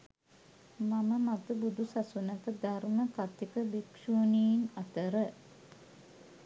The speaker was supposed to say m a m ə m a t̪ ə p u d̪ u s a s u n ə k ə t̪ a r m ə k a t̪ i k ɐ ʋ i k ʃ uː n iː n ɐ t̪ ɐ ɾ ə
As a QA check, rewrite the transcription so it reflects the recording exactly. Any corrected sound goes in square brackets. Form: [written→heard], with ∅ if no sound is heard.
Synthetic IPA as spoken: m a m ə m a t̪ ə [p→b] u d̪ u s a s u n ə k ə [t̪→d̪] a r m ə k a t̪ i k [ɐ→ə] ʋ i k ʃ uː n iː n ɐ t̪ [ɐ→ə] ɾ ə